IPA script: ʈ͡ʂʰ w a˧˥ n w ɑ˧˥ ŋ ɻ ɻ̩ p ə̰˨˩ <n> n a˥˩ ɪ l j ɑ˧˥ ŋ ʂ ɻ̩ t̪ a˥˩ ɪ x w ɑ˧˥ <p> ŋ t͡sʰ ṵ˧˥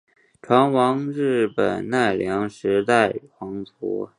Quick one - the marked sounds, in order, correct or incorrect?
correct, incorrect

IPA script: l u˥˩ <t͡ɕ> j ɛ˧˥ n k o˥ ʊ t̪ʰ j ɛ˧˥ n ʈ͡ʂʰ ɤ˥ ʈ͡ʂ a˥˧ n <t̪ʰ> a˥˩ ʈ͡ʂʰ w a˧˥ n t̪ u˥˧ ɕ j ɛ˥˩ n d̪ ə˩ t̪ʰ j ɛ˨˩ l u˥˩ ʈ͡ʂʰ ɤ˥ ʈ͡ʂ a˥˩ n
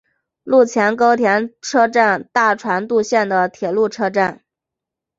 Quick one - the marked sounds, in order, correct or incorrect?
incorrect, incorrect

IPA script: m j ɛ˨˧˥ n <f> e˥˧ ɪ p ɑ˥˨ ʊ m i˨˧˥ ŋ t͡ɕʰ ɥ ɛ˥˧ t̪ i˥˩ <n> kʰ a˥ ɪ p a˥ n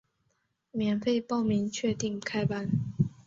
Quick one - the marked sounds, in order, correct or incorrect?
correct, incorrect

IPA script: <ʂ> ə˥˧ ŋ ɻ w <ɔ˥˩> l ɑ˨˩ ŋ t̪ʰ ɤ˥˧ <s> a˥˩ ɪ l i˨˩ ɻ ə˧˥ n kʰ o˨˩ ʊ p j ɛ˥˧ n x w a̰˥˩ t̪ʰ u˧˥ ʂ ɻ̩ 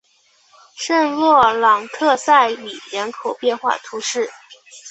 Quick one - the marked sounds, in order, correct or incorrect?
correct, correct, correct

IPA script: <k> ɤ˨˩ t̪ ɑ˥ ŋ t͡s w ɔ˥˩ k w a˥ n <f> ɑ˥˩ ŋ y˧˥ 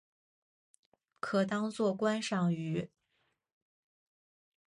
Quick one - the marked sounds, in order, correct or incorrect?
incorrect, incorrect

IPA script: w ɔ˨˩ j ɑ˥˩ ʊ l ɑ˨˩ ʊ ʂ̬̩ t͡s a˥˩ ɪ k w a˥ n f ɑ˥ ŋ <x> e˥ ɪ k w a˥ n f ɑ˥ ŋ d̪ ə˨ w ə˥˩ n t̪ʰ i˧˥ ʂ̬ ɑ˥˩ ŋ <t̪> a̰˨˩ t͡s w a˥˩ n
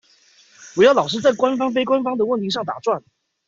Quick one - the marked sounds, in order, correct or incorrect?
incorrect, correct

